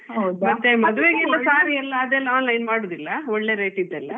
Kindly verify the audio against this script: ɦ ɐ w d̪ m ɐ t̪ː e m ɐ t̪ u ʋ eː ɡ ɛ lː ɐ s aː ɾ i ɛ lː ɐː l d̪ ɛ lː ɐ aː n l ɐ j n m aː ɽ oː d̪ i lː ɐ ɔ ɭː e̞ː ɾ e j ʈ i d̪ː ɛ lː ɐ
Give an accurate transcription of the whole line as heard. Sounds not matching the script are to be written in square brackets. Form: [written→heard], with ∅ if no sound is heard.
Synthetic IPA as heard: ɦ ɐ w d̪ m ɐ t̪ː e m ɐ [t̪→d̪] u ʋ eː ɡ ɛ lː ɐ s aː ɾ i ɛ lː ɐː [l→∅] d̪ ɛ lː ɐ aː n l ɐ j n m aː ɽ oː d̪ i lː ɐ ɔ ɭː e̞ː ɾ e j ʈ i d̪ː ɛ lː ɐ